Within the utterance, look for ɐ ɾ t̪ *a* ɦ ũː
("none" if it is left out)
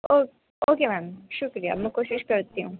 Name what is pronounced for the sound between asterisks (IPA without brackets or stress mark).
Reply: i